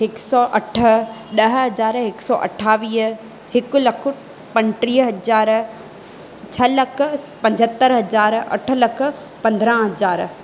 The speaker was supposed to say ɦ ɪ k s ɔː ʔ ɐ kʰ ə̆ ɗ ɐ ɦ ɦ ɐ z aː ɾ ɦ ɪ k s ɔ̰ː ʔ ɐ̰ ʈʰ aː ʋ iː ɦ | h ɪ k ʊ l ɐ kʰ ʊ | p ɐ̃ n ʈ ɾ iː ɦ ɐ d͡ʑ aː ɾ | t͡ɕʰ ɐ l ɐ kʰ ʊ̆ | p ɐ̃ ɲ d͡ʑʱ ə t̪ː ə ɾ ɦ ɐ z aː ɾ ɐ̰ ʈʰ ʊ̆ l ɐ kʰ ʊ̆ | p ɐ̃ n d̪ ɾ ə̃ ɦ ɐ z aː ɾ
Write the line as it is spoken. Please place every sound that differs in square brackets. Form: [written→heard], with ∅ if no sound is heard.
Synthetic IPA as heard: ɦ ɪ k s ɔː ʔ ɐ [kʰ→ʈʰ] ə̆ ɗ ɐ ɦ ɦ ɐ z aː ɾ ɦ ɪ k s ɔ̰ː ʔ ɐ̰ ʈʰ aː ʋ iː ɦ | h ɪ k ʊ l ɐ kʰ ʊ | p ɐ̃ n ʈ ɾ iː ɦ ɐ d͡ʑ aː ɾ | t͡ɕʰ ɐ l ɐ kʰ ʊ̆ | p ɐ̃ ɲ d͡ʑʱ ə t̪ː ə ɾ ɦ ɐ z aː ɾ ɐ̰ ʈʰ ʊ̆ l ɐ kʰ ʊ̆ | p ɐ̃ n d̪ ɾ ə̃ ɦ ɐ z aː ɾ